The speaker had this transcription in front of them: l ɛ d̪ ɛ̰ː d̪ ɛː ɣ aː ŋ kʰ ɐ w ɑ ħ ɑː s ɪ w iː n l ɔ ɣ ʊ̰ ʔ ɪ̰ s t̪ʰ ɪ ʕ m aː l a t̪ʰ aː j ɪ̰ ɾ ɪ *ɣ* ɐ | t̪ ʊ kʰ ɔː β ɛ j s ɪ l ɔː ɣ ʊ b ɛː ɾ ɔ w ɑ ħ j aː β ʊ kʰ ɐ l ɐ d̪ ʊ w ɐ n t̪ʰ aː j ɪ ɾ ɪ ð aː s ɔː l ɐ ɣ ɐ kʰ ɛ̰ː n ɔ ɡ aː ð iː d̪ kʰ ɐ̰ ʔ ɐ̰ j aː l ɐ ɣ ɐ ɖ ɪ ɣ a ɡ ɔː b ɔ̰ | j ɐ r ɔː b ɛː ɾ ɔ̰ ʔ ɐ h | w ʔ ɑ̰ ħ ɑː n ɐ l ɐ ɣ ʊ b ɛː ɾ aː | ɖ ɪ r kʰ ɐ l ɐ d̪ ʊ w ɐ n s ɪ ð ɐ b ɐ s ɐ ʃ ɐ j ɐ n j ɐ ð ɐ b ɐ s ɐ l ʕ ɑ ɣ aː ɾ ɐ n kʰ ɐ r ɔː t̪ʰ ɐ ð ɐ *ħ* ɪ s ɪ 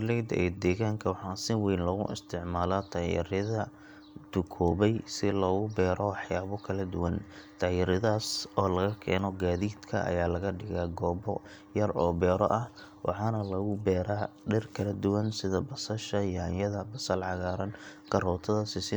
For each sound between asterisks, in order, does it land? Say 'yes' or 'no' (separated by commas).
no, no